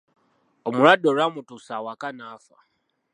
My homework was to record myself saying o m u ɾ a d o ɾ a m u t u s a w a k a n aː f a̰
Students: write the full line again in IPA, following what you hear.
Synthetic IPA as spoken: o m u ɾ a d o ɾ a m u t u s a w a k a n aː f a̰